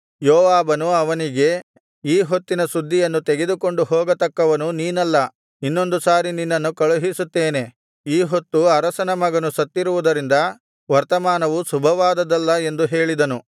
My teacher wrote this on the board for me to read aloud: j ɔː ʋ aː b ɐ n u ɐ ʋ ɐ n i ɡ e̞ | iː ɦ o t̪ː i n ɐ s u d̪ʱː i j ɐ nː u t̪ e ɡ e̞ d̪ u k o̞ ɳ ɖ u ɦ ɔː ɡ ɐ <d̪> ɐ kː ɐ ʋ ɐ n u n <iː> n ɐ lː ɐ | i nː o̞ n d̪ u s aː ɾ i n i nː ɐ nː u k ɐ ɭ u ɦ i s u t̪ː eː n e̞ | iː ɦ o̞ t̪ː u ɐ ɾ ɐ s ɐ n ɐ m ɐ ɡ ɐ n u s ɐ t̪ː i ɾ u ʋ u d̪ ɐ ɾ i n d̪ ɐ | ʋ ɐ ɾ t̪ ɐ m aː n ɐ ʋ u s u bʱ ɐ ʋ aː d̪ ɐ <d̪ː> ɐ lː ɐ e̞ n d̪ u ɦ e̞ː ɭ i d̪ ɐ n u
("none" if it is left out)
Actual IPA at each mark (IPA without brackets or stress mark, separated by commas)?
t̪, iː, d̪